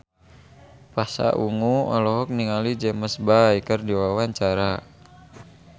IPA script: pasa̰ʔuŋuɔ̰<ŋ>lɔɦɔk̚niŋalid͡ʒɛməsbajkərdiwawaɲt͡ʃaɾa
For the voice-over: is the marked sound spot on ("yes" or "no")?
no